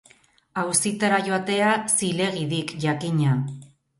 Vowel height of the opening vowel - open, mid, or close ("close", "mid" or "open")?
open